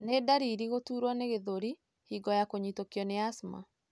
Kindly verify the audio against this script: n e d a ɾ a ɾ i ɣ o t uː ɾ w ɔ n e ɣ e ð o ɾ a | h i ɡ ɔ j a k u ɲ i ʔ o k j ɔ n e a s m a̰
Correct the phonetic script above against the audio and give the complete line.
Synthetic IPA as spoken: n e d a ɾ i ɾ i ɣ o t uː ɾ w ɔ n e ɣ e ð o ɾ i | h i ɡ ɔ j a k o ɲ i t o k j ɔ n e a s m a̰